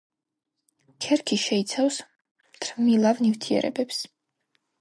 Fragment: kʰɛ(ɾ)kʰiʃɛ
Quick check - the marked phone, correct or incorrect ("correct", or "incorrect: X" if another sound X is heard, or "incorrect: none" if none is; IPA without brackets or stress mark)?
correct